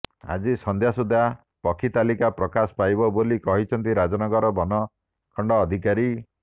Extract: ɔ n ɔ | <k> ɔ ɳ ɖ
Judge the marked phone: incorrect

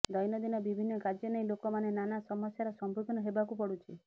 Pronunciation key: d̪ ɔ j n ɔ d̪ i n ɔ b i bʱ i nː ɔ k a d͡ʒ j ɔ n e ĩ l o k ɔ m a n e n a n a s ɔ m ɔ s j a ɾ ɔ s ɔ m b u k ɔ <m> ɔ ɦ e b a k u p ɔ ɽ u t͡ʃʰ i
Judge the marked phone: incorrect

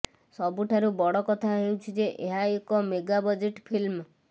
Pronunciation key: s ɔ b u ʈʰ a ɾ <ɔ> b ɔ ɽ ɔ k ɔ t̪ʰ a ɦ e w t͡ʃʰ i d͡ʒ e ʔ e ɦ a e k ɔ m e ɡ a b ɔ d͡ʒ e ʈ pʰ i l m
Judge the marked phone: incorrect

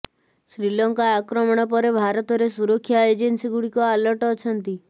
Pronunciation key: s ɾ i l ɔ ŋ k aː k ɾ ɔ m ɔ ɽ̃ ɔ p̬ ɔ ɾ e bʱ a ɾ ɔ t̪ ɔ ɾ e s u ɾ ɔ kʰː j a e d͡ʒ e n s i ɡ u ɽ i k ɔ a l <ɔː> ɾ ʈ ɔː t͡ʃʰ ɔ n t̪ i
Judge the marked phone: incorrect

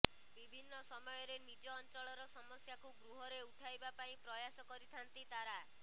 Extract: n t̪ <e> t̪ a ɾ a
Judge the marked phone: incorrect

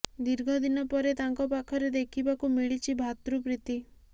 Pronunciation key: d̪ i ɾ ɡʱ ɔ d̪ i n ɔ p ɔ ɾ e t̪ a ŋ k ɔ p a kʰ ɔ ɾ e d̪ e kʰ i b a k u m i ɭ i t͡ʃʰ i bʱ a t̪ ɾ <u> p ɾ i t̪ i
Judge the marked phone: correct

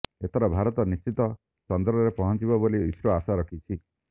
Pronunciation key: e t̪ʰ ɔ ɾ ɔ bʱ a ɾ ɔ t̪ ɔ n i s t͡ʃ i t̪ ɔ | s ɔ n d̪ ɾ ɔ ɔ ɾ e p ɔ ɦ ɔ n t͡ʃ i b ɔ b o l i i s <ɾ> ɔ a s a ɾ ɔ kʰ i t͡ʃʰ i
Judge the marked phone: correct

